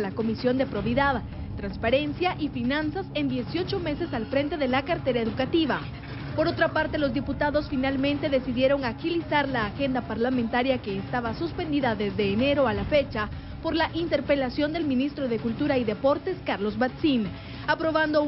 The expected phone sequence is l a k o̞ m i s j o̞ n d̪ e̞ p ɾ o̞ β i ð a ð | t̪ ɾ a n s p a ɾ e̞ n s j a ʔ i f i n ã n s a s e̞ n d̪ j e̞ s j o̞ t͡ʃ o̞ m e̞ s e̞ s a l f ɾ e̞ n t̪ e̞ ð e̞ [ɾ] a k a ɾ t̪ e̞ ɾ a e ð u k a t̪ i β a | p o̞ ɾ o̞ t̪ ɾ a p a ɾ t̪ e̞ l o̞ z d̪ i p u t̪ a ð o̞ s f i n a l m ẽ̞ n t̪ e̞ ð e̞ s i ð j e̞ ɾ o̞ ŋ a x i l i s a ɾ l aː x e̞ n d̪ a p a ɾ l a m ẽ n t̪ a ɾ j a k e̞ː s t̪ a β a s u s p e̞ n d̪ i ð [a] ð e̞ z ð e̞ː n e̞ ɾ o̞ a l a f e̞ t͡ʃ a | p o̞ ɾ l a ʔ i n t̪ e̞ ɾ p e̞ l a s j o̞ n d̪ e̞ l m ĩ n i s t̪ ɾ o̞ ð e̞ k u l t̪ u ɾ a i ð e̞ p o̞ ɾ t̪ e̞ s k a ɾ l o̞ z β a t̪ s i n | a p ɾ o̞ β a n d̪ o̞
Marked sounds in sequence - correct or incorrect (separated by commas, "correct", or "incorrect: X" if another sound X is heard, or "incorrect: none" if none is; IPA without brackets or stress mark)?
incorrect: l, correct